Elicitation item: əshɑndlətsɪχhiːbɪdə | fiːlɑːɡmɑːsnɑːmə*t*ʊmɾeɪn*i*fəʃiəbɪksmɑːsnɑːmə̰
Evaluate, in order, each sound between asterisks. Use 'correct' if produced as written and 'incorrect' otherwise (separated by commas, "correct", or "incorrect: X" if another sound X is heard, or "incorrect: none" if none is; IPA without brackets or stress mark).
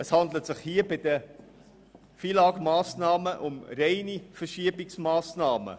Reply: incorrect: ʔ, correct